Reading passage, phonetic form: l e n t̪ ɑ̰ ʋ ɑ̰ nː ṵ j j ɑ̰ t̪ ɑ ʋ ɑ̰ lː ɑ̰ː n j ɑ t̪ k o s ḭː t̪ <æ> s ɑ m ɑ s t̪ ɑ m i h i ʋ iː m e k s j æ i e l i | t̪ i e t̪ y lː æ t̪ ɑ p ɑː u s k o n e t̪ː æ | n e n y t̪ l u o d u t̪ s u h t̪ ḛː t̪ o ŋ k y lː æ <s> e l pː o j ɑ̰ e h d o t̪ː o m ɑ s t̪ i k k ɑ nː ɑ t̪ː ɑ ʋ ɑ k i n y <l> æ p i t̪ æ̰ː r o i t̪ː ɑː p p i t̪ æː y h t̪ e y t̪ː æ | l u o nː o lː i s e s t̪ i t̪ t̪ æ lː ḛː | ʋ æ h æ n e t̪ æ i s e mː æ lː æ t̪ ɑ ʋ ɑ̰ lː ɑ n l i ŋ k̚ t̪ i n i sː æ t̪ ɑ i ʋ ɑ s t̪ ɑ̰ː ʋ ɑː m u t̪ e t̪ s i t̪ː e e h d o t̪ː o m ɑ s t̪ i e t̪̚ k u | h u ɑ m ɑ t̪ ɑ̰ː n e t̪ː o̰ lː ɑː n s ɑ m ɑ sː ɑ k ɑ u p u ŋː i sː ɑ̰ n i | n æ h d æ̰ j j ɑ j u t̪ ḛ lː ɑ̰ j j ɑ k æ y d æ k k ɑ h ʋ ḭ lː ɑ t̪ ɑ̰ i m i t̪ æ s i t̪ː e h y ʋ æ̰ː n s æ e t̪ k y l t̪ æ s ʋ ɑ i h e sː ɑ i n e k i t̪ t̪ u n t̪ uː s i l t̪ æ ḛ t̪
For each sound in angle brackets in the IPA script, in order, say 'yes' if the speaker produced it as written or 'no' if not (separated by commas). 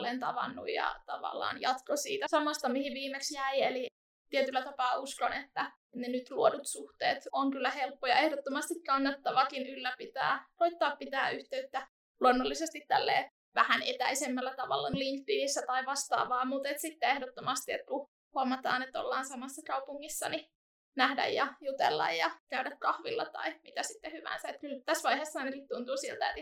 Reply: yes, no, no